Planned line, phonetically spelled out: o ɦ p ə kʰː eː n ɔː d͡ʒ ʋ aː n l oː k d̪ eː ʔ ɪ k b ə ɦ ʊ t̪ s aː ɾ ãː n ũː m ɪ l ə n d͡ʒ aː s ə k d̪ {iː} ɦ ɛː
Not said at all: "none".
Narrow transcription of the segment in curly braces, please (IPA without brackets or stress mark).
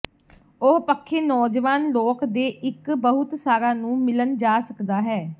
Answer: aː